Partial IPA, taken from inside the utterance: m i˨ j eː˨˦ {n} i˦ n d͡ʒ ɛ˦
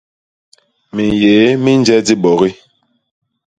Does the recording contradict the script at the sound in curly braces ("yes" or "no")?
yes